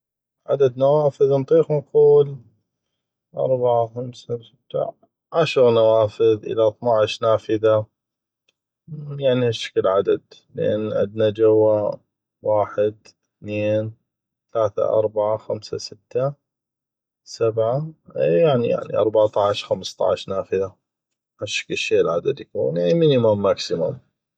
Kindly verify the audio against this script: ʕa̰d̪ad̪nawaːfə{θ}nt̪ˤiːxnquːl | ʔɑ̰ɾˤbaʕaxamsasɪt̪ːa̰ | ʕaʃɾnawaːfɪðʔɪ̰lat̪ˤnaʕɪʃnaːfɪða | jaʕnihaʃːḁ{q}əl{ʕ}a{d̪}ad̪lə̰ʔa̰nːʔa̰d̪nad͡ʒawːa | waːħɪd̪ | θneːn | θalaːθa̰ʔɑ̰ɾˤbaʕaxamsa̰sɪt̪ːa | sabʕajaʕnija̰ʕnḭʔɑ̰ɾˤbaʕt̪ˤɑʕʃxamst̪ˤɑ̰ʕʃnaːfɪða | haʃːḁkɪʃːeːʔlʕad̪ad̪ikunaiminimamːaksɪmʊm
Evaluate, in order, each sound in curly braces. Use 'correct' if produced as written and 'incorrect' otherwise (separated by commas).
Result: incorrect, incorrect, correct, correct